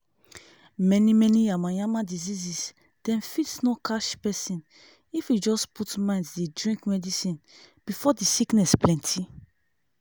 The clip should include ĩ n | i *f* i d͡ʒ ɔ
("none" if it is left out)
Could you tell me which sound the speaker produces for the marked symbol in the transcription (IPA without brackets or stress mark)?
f